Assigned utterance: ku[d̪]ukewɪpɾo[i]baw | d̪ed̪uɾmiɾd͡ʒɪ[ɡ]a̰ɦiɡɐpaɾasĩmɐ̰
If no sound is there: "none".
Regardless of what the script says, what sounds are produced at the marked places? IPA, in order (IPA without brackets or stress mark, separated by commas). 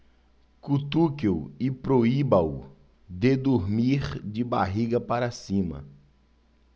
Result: t̪, i, b